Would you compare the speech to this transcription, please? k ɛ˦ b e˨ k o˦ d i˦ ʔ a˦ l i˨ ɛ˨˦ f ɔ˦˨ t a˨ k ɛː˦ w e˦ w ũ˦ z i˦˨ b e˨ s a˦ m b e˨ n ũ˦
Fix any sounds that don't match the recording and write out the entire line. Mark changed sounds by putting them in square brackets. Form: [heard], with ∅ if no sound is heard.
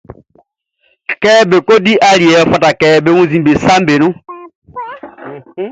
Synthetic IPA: k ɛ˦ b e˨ k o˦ d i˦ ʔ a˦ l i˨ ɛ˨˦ f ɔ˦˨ t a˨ k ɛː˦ [b] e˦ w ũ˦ z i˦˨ b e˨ s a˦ m b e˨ n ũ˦